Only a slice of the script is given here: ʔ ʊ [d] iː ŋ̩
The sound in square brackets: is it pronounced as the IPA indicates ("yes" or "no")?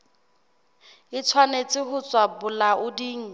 yes